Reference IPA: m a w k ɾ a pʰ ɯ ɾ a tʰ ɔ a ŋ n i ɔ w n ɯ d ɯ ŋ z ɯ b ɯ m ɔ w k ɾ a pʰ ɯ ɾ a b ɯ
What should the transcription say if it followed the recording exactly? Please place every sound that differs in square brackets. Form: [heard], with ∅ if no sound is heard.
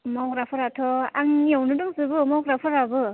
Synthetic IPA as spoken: m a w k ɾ a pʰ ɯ ɾ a tʰ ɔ a ŋ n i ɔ w n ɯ d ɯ ŋ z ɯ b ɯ m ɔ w k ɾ a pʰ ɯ ɾ a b ɯ